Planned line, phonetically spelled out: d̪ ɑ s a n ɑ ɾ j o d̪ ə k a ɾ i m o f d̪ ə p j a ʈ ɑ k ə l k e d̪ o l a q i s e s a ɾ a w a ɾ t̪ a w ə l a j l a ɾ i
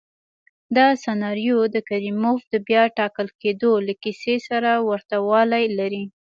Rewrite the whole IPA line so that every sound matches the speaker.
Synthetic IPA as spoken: d̪ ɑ s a n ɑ ɾ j o d̪ ə k a ɾ i m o f d̪ ə b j ɑ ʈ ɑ k ə l k e d̪ o l a k i s e s a ɾ a w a ɾ t̪ a w ɑ l a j l a ɾ i

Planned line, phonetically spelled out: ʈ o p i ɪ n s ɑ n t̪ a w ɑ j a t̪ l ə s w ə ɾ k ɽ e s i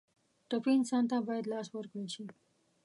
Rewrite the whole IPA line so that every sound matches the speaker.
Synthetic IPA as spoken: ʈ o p i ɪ n s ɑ n t̪ a b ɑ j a d̪ l ɑ s w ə ɾ k ɽ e ʃ i

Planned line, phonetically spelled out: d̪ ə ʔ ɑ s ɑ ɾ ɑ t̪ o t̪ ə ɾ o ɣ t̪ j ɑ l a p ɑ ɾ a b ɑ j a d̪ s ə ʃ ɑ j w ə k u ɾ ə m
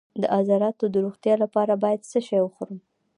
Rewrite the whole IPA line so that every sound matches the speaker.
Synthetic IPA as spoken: d̪ ə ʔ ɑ z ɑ ɾ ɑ t̪ o d̪ ə ɾ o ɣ t̪ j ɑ l a p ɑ ɾ a b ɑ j a d̪ s ə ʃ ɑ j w ə x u ɾ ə m

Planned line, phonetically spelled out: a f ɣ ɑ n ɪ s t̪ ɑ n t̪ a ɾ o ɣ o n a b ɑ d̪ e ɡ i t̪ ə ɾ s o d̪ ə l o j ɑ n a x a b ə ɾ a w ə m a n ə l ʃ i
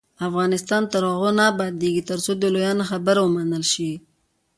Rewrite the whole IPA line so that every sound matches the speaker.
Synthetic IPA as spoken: a f ɣ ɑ n ɪ s t̪ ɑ n t̪ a ɾ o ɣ o n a b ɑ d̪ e ɡ i t̪ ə ɾ s o d̪ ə l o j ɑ n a x a b ə ɾ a w ə m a n ə l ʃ i

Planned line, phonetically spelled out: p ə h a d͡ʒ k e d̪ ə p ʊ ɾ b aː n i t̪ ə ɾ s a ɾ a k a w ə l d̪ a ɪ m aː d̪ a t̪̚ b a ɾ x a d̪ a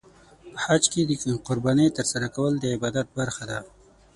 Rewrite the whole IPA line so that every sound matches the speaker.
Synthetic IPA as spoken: p ə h a d͡ʒ k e d̪ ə q ʊ ɾ b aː n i t̪ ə ɾ s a ɾ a k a w ə l d̪ ə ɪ b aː d̪ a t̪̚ b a ɾ x a d̪ a

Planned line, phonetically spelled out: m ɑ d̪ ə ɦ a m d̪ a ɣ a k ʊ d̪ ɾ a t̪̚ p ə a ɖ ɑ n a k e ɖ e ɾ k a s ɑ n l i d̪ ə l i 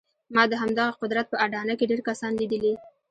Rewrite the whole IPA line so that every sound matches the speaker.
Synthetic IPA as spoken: m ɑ d̪ ə ɦ a m d̪ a ɣ a q ʊ d̪ ɾ a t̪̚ p ə a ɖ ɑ n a k e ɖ e ɾ k a s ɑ n l i d̪ ə l i

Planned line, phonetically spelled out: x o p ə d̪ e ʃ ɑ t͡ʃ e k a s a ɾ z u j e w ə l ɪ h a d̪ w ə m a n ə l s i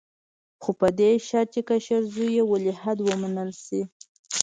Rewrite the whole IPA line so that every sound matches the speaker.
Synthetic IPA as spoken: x o p ə d̪ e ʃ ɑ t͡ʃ e k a ʃ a ɾ z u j e w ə l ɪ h a d̪ w ə m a n ə l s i

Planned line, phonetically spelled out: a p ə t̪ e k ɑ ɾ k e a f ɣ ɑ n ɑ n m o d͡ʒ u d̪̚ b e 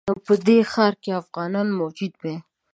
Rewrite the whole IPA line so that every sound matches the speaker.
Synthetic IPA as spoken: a p ə d̪ e x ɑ ɾ k e a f ɣ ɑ n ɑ n m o d͡ʒ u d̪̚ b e

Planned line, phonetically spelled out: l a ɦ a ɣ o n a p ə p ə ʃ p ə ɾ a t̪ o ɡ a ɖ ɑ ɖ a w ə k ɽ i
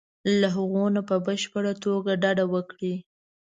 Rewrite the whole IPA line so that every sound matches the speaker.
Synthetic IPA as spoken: l a ɦ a ɣ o n a p ə b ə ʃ p ə ɽ a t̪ o ɡ a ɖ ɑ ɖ a w ə k ɽ i

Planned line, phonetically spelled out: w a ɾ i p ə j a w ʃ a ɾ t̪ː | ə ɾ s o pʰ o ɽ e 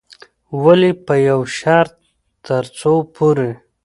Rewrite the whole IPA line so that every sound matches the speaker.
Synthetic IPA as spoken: w a l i p ə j a w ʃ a ɾ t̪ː | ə ɾ t͡s o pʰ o ɾ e

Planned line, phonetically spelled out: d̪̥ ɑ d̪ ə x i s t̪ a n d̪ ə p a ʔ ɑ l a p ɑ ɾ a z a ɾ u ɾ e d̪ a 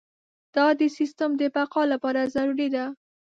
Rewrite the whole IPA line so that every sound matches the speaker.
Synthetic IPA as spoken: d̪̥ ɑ d̪ ə s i s t̪ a m d̪ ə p a q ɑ l a p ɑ ɾ a z a ɾ u ɾ i d̪ a

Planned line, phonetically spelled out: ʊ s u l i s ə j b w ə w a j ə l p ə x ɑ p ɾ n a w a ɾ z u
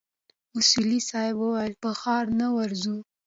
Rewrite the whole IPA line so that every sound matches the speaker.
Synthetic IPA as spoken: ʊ s u l i s ɑ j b w ə w a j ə l p ə x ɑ ɾ n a w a ɾ z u

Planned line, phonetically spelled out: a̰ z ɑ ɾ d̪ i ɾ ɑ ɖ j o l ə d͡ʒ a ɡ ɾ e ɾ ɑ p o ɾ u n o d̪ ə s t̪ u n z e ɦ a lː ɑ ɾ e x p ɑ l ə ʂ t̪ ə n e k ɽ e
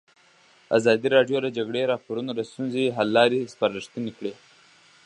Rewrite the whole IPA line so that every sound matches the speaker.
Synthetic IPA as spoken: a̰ z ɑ d̪ i ɾ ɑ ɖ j o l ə d͡ʒ a ɡ ɽ e ɾ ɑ p o ɾ u n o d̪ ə s t̪ u n z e ɦ a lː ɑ ɾ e s p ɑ ɾ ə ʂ t̪ ə n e k ɽ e

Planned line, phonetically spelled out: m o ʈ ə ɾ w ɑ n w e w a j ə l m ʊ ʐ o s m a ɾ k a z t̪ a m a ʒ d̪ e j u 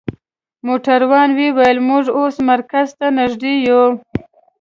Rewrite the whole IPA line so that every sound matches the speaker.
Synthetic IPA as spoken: m o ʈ a ɾ w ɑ n w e w a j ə l m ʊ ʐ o s m a ɾ k a z t̪ a n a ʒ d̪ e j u

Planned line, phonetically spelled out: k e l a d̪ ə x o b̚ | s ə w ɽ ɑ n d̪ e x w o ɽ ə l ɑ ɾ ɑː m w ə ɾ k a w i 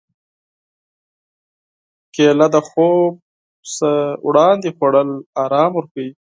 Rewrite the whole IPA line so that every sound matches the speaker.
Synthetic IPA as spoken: k e l a d̪ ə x o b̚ | s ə w ɽ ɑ n d̪ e x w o ɽ ə l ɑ ɾ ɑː m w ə ɾ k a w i

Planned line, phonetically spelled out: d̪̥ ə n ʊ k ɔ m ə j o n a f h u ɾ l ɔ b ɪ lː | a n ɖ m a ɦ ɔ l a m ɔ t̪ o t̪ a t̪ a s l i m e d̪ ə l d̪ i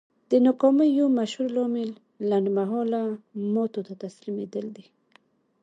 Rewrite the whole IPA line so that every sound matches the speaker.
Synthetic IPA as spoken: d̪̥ ə n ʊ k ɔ m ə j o m a ʃ h u ɾ l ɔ m ɪ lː | a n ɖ m a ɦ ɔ l a m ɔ t̪ o t̪ a t̪ a s l i m e d̪ ə l d̪ i

